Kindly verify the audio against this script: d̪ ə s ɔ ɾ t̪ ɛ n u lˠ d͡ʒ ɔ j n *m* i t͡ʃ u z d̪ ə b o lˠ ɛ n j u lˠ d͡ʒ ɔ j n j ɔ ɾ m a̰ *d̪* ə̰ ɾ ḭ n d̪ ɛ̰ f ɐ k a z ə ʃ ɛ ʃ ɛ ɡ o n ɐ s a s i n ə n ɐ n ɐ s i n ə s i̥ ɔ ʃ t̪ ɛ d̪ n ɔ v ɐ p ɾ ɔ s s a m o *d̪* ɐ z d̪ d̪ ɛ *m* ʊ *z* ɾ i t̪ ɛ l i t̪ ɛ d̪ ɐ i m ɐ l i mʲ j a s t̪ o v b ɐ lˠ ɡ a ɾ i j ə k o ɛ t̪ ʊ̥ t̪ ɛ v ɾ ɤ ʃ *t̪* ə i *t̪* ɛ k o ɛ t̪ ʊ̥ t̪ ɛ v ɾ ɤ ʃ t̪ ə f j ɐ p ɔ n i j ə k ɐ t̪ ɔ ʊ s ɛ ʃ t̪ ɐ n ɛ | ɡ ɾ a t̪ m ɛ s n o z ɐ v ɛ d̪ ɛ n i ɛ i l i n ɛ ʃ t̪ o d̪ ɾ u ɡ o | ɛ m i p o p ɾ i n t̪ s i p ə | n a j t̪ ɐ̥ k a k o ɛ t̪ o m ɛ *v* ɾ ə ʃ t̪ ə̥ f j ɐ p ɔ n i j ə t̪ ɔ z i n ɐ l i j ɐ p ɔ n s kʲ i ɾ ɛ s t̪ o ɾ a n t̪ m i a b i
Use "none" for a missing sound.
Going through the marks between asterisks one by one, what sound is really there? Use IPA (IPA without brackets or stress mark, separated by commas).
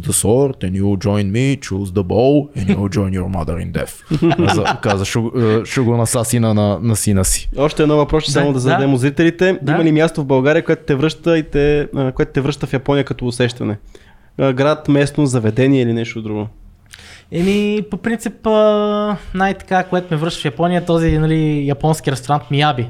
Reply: m, d̪, d̪, m, z, t̪, t̪, v